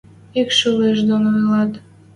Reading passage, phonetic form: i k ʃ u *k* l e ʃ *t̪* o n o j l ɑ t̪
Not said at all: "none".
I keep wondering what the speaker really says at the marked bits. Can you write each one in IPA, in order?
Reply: none, d̪

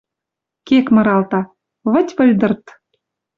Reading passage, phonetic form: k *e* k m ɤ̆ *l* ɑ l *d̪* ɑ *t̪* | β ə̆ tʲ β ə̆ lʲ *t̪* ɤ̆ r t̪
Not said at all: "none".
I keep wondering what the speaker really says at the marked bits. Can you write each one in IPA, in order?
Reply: e, ɾ, t̪, none, d̪

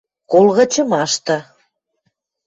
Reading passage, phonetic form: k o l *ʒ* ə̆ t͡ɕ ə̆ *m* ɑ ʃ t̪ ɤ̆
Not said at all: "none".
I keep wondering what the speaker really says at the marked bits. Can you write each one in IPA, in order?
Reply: ɣ, m

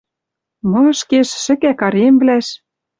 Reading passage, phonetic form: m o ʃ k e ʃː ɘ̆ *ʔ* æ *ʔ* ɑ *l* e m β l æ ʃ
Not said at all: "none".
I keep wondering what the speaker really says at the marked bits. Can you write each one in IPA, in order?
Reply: k, k, ɾ

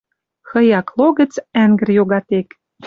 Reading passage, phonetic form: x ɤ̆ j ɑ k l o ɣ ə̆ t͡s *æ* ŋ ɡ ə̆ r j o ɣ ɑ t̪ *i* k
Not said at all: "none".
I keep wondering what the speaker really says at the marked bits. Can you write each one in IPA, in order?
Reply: æ, e

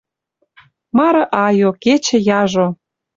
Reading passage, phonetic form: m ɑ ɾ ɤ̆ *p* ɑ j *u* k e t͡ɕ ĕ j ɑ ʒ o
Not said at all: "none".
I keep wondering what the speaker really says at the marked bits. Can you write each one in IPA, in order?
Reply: ʔ, o

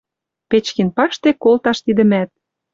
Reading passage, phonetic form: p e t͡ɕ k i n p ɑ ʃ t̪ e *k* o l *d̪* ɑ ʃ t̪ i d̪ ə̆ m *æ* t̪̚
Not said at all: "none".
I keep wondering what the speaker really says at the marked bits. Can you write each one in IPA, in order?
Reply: k, t̪, æ

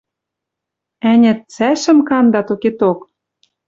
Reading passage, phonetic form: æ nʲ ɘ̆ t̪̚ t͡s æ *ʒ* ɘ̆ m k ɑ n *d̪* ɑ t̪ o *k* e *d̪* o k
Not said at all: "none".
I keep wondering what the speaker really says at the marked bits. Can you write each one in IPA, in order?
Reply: ʃ, d̪, k, t̪

